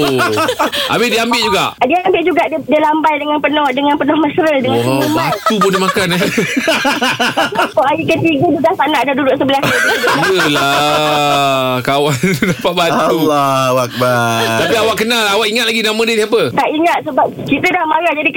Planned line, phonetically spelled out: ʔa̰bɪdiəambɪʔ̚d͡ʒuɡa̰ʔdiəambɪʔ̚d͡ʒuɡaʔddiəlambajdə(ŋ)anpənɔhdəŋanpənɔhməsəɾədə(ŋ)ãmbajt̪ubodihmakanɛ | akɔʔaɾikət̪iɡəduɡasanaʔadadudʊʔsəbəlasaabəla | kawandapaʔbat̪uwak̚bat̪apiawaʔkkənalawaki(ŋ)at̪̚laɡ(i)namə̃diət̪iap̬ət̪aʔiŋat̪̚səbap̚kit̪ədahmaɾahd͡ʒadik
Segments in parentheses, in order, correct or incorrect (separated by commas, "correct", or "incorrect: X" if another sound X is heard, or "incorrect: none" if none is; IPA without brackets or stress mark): correct, correct, correct, correct